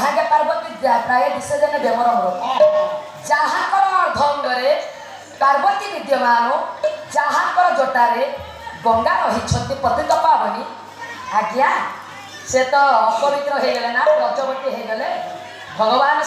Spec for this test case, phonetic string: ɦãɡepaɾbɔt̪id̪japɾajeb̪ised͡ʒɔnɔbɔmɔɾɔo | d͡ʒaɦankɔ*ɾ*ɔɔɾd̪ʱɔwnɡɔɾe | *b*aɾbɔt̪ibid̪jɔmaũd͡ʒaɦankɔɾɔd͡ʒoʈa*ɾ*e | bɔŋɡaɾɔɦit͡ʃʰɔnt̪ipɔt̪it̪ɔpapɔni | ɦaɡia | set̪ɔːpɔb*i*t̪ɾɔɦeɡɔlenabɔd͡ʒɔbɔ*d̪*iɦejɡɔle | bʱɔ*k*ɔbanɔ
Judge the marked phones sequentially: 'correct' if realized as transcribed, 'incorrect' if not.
correct, incorrect, correct, correct, incorrect, incorrect

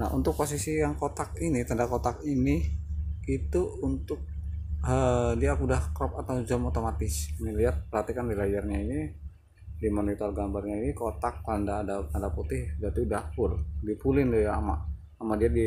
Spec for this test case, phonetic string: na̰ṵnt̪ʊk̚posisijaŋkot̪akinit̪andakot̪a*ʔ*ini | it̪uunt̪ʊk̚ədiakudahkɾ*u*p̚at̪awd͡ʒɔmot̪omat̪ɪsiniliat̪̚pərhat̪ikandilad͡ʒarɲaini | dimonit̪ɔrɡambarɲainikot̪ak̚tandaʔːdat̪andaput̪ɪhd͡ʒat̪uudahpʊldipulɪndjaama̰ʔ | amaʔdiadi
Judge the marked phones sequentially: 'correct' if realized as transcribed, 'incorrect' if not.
incorrect, incorrect

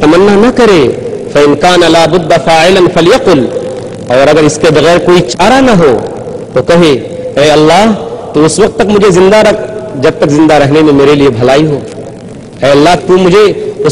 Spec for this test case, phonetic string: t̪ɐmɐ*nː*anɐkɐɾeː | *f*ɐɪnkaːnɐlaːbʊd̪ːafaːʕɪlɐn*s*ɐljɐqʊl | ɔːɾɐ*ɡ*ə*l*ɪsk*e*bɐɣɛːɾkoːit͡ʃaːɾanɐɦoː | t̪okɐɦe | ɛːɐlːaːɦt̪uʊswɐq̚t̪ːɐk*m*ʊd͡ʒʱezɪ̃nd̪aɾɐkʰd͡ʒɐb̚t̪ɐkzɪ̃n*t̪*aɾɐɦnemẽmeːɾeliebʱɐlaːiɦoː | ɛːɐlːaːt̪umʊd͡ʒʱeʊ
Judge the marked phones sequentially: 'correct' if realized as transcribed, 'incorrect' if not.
correct, correct, incorrect, correct, incorrect, correct, correct, incorrect

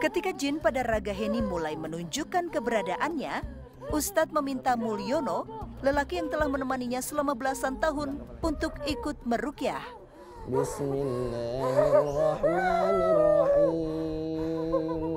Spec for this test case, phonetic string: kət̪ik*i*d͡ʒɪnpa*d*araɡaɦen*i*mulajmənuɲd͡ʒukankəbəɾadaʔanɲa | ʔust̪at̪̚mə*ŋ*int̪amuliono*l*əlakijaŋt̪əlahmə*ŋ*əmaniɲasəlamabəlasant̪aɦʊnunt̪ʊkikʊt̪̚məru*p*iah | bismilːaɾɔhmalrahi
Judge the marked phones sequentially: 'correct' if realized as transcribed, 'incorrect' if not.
incorrect, correct, correct, incorrect, correct, incorrect, incorrect

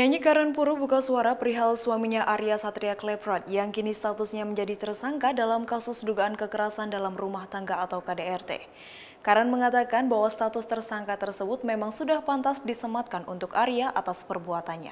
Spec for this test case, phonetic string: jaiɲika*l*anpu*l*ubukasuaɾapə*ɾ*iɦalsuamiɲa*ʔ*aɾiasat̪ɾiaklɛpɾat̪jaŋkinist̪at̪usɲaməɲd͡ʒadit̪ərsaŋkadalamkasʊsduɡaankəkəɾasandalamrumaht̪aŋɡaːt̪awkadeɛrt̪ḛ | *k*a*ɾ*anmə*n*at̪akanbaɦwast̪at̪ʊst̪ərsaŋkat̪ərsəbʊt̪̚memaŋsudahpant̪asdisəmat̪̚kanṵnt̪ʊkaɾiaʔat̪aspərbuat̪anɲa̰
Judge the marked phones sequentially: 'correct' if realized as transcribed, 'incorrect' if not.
incorrect, incorrect, correct, correct, correct, correct, incorrect

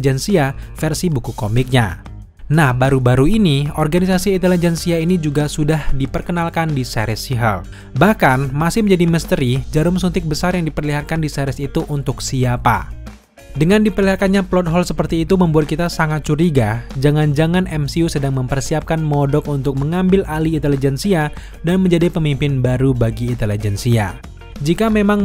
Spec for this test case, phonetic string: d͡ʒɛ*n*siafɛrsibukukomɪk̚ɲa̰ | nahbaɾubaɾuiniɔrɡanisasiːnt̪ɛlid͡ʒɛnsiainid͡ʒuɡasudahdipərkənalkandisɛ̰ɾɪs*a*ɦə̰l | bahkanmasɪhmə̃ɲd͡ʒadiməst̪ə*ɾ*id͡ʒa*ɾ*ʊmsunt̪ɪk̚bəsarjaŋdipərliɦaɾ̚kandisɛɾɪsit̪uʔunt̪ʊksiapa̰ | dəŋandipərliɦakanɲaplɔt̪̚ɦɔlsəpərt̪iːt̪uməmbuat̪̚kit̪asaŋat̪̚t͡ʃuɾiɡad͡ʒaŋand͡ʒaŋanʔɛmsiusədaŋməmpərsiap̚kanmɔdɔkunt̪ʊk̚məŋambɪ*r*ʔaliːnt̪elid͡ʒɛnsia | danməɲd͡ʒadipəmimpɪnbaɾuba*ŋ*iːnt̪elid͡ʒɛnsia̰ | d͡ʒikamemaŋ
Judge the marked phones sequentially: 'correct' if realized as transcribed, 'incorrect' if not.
correct, incorrect, correct, correct, incorrect, incorrect

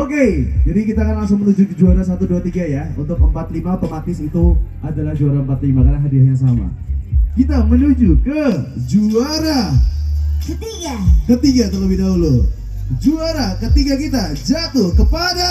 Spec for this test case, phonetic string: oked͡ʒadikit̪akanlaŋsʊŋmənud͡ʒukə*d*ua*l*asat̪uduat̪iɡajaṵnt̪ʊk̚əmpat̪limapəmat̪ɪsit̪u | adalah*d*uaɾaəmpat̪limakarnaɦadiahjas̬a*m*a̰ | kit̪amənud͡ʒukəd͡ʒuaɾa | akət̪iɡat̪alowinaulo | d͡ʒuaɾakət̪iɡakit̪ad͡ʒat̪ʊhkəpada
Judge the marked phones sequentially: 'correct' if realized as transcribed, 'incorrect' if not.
incorrect, incorrect, incorrect, correct

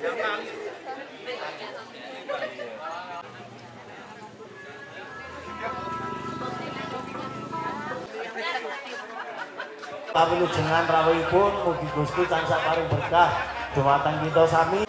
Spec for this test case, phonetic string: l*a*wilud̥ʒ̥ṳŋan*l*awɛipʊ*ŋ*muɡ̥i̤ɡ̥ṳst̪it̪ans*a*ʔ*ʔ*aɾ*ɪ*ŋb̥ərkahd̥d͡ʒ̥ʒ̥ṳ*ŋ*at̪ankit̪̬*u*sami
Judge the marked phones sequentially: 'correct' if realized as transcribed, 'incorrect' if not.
correct, incorrect, incorrect, correct, incorrect, correct, incorrect, incorrect

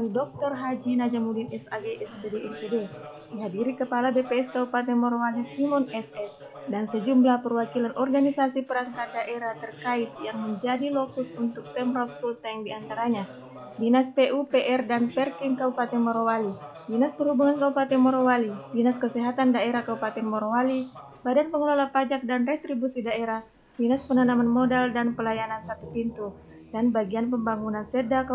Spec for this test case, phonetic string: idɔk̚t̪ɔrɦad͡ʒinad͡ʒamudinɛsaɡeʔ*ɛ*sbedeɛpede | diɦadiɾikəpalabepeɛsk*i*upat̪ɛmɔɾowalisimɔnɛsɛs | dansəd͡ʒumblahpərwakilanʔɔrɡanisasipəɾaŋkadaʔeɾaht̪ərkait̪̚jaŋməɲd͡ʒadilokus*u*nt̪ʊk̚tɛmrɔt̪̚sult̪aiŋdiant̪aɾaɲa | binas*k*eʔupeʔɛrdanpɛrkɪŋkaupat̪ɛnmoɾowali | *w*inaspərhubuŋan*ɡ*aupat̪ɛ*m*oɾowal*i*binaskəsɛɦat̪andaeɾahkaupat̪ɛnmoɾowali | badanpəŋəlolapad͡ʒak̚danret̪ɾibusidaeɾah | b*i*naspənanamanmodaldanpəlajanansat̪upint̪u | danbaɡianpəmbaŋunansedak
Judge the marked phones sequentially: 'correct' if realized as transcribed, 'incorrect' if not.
correct, incorrect, correct, incorrect, incorrect, incorrect, correct, correct, correct

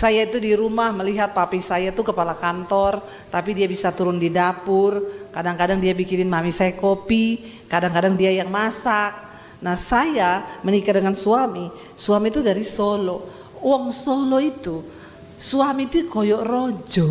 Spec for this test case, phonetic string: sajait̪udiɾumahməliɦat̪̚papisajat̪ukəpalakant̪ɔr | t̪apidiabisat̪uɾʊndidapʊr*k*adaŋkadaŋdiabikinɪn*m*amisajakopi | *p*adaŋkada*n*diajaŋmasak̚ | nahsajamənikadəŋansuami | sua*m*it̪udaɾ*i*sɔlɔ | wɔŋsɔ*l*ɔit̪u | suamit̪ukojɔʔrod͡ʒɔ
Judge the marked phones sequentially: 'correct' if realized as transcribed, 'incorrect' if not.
correct, correct, incorrect, incorrect, correct, correct, correct

